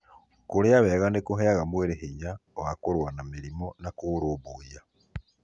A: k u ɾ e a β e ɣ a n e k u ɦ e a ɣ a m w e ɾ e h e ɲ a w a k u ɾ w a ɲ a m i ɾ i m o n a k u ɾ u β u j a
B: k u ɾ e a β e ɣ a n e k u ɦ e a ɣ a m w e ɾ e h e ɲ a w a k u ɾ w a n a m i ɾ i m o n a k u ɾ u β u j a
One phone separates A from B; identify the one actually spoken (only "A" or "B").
B